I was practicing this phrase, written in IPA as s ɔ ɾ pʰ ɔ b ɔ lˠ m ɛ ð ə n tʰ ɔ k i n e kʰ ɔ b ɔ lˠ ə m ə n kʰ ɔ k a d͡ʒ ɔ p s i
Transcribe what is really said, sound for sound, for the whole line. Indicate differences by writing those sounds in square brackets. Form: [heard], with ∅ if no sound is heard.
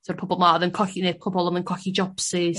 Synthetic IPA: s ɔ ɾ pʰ ɔ b ɔ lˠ m [a] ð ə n [kʰ] ɔ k i n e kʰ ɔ b ɔ lˠ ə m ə n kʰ ɔ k [i] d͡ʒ ɔ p s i